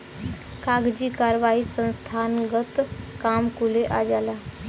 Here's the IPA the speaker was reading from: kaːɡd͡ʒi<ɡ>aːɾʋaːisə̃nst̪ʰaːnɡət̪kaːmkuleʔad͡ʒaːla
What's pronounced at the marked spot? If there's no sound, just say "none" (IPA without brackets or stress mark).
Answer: k